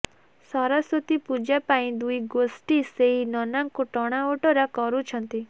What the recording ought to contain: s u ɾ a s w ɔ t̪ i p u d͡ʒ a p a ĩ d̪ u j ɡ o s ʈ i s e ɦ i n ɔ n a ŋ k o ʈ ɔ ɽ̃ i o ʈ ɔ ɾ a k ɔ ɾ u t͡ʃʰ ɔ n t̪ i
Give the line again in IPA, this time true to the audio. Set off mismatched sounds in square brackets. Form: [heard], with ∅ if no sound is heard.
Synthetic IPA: s [ɔ] ɾ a s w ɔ t̪ i p u d͡ʒ a p a ĩ d̪ u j ɡ o s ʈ i s e ɦ i n ɔ n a ŋ k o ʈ ɔ ɽ̃ [a] o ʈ ɔ ɾ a k ɔ ɾ u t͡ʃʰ ɔ n t̪ i